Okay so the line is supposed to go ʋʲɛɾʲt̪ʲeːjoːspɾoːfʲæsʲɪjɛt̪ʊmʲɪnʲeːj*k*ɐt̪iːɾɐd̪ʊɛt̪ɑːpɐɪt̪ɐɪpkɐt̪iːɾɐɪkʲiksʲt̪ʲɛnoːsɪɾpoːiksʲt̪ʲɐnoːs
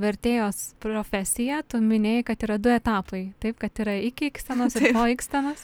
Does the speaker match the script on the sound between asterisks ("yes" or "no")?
yes